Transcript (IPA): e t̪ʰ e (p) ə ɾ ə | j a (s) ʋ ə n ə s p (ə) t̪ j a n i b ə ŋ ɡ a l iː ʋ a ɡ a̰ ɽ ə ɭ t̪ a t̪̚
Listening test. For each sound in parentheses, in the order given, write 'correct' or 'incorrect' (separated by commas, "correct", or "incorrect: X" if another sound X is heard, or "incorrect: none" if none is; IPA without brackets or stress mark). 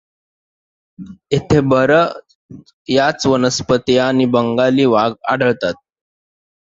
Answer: incorrect: b, incorrect: t͡s, correct